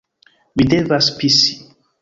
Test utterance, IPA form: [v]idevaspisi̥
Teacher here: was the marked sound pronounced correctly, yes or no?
no